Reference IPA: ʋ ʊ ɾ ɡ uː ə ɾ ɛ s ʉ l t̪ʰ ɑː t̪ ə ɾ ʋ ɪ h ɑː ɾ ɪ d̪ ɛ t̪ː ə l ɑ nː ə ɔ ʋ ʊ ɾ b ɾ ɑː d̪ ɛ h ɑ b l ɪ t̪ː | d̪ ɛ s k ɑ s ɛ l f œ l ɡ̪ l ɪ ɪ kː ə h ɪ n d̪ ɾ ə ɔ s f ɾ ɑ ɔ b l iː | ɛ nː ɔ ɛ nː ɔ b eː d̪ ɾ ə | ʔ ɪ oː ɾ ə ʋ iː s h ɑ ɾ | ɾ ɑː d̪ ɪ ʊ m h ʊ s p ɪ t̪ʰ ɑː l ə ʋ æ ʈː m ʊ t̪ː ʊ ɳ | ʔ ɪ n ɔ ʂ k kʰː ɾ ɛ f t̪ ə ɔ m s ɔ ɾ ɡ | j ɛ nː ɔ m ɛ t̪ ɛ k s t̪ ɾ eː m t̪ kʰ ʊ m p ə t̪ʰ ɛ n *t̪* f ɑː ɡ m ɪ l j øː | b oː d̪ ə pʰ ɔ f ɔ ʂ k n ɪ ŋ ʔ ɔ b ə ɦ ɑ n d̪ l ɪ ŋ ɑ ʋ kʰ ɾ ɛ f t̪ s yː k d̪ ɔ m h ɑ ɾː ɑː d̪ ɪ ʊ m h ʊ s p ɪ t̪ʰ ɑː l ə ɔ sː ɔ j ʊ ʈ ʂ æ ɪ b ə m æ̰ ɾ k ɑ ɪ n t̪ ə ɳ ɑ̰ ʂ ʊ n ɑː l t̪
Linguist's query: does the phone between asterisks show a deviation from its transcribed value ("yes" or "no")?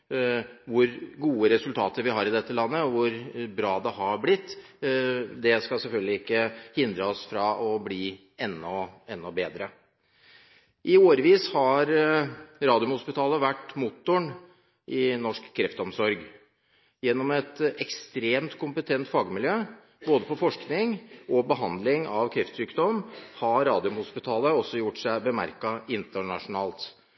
no